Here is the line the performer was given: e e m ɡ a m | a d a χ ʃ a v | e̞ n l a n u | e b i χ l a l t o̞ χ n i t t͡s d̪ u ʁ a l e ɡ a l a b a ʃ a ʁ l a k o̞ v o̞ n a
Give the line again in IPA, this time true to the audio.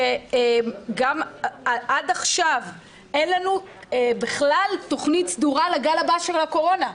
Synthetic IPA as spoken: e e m ɡ a m | a d a χ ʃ a v | e̞ n l a n u | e b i χ l a l t o̞ χ n i t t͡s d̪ u ʁ a l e ɡ a l a b a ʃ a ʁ l a k o̞ ʁ o̞ n a